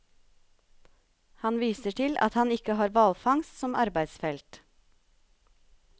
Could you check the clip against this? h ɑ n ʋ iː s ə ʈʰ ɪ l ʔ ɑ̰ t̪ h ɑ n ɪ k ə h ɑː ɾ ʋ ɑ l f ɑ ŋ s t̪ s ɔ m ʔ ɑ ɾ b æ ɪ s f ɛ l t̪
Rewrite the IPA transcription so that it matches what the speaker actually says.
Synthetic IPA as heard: h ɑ n ʋ iː s ə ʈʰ ɪ l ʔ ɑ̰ t̪ h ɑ n ɪ k ə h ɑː ɾ ʋ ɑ l f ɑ ŋ s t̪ s ɔ m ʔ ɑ ɾ b æ ɪ s f ɛ l t̪